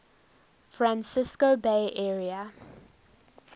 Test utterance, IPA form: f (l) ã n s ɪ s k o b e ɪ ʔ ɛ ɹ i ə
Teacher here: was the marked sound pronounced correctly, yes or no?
no